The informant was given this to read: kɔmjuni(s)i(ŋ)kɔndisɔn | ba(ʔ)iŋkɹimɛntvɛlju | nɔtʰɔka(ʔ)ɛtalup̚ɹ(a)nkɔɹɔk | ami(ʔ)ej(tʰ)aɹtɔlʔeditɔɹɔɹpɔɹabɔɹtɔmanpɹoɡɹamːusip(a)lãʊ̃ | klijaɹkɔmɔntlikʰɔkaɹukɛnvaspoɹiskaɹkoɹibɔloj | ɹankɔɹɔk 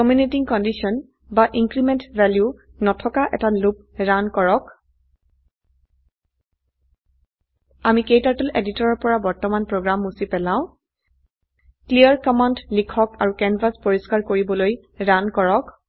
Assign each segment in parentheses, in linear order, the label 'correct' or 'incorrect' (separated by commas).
incorrect, correct, correct, correct, correct, incorrect, incorrect, incorrect